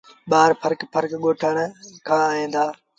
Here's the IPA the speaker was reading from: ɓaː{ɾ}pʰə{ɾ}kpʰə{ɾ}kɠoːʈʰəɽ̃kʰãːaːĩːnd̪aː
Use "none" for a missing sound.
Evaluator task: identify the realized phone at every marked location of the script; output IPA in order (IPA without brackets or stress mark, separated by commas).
ɾ, ɾ, ɾ